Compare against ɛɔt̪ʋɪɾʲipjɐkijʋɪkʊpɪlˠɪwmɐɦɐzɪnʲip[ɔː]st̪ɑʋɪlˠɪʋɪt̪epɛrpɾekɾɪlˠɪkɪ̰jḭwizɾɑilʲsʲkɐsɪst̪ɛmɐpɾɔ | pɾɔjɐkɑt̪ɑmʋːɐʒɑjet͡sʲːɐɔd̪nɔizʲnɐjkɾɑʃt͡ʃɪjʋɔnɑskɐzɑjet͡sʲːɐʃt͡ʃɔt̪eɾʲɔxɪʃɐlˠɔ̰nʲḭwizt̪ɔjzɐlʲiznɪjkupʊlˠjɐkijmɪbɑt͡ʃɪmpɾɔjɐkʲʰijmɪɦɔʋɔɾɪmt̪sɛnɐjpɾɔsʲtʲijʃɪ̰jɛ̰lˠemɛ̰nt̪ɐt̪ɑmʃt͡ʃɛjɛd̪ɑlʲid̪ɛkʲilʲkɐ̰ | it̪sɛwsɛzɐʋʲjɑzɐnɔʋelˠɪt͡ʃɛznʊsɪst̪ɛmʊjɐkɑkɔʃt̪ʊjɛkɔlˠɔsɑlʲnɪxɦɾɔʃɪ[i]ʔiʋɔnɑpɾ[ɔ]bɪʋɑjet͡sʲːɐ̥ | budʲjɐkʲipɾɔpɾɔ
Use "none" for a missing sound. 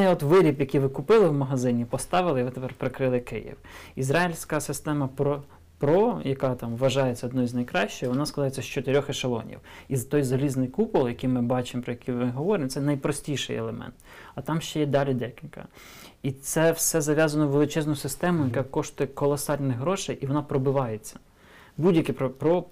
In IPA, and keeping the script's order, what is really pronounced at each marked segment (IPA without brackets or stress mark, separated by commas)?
ɔ, j, ɔ